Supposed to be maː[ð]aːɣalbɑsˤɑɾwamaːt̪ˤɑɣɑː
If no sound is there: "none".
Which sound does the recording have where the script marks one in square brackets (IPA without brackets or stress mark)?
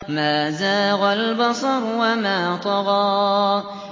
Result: z